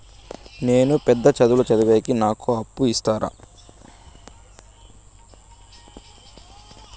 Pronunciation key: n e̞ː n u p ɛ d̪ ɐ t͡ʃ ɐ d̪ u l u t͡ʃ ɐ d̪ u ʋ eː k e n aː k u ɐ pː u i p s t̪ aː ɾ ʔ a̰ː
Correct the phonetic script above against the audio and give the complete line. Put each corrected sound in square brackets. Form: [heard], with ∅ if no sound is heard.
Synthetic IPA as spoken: n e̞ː n u p ɛ [d̪ː] ɐ t͡ʃ ɐ d̪ u l u t͡ʃ ɐ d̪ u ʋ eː k [i] n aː k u ɐ pː u i [∅] s t̪ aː ɾ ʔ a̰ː